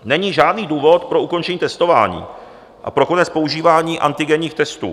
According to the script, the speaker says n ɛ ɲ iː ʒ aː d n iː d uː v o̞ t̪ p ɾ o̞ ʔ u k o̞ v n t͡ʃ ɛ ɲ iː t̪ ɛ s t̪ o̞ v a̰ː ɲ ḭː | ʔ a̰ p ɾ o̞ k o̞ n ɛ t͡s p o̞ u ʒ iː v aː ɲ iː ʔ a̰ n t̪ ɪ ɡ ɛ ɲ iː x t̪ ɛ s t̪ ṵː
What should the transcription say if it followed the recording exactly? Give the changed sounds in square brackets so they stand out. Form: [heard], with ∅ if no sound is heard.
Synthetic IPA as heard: n ɛ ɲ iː ʒ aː d n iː d uː v o̞ t̪ p ɾ o̞ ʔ u k o̞ [∅] n t͡ʃ ɛ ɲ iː t̪ ɛ s t̪ o̞ v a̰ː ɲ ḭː | ʔ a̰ p ɾ o̞ k o̞ n ɛ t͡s p o̞ u ʒ iː v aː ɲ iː ʔ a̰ n t̪ ɪ ɡ ɛ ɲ iː x t̪ ɛ s t̪ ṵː